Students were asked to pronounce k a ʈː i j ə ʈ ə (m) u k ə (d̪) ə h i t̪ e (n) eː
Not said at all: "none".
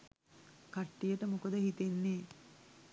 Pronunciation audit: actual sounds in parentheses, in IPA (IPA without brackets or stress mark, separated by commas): m, d̪, nː